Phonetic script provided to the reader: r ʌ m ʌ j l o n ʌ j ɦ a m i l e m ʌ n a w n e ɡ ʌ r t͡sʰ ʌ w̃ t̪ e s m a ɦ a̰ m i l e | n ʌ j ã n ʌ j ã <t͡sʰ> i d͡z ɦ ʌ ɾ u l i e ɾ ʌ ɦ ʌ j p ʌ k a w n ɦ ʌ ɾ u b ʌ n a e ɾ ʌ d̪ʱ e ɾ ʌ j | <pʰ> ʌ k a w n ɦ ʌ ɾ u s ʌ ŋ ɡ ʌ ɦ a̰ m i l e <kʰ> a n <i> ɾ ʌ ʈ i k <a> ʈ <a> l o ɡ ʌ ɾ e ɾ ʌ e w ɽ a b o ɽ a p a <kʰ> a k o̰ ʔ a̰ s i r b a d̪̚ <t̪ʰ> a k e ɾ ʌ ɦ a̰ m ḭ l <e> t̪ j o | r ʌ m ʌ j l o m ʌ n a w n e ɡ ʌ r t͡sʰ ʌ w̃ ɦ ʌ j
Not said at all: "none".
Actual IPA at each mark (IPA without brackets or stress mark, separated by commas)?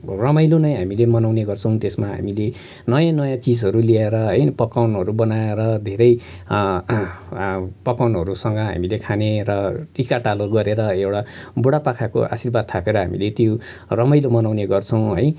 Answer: t͡s, p, kʰ, e, a, a, kʰ, t̪ʰ, e